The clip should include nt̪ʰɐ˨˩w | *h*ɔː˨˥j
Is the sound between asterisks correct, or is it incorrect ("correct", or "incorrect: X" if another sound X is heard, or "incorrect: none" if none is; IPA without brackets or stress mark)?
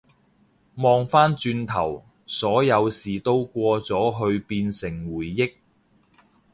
incorrect: s